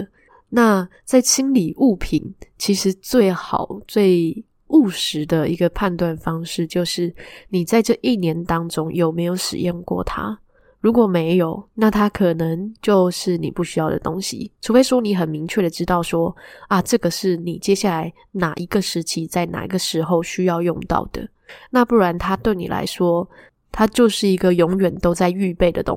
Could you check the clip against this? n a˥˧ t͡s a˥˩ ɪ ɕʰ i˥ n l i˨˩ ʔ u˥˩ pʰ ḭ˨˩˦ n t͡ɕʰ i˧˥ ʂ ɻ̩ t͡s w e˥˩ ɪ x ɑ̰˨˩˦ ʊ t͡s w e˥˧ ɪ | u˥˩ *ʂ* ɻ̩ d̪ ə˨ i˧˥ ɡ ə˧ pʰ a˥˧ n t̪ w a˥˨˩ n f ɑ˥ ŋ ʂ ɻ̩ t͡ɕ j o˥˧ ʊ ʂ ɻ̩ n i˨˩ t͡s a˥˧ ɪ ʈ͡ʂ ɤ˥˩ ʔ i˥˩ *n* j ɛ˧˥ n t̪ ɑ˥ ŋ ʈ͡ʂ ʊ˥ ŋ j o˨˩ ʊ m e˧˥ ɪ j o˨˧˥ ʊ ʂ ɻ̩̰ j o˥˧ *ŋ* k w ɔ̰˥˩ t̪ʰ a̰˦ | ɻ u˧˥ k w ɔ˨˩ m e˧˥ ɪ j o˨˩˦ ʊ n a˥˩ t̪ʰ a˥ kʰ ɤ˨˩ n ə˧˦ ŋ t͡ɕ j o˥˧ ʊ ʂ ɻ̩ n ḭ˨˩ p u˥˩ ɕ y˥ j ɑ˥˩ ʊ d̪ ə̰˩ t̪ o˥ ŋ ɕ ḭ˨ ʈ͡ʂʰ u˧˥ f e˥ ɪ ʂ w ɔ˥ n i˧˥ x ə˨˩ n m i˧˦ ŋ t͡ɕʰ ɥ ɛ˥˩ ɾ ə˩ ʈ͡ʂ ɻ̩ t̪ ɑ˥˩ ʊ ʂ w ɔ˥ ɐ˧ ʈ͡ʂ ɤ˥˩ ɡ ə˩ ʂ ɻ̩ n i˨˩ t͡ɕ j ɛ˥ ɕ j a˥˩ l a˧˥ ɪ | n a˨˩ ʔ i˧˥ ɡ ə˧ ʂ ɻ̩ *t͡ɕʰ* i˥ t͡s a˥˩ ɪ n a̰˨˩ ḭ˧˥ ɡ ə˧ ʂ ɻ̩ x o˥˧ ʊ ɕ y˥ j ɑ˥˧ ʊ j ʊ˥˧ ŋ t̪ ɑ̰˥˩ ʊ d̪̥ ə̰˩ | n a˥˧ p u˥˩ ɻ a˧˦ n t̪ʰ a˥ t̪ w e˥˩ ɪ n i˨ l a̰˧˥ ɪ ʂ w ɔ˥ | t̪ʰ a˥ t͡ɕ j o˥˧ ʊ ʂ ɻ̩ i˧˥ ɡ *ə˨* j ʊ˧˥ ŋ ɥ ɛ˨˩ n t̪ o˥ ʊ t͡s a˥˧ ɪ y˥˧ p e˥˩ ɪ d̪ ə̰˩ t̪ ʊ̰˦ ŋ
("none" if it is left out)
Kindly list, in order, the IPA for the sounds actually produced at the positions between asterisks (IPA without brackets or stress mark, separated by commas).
ʂ, n, ŋ, t͡ɕʰ, ə˨